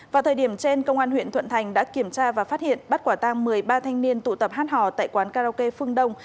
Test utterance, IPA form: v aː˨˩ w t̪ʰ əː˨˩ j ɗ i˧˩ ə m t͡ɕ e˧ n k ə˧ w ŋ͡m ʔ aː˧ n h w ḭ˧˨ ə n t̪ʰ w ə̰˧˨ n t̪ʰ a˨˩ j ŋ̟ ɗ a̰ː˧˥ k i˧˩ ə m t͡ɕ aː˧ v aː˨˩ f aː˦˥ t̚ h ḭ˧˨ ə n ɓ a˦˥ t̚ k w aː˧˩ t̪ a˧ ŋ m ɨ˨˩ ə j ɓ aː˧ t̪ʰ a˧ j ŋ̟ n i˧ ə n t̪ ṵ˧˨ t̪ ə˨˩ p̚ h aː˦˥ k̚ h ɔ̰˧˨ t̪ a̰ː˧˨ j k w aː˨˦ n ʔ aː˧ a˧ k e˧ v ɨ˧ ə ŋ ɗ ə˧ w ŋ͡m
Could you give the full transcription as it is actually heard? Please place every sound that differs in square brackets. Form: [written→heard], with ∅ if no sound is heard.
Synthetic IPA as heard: v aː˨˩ w t̪ʰ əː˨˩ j ɗ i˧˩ ə m t͡ɕ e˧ n k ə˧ w ŋ͡m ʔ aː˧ n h w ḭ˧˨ ə n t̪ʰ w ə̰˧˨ n t̪ʰ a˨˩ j ŋ̟ ɗ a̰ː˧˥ k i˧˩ ə m t͡ɕ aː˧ v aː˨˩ f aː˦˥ t̚ h ḭ˧˨ ə n ɓ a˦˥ t̚ k w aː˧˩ t̪ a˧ ŋ m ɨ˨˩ ə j ɓ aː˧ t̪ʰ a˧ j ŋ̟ n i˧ ə n t̪ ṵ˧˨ t̪ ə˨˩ p̚ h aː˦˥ [k̚→t̚] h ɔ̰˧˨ t̪ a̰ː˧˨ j k w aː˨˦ n [ʔ→k] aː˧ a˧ k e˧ [v→f] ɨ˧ ə ŋ ɗ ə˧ w ŋ͡m